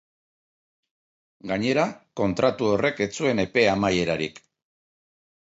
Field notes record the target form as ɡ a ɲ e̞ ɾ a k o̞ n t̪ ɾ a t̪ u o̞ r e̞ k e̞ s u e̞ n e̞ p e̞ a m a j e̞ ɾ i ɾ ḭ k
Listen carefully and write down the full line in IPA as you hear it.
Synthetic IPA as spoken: ɡ a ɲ e̞ ɾ a k o̞ n t̪ ɾ a t̪ u o̞ r e̞ k e̞ t͡s u e̞ n e̞ p e̞ a m a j e̞ ɾ a ɾ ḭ k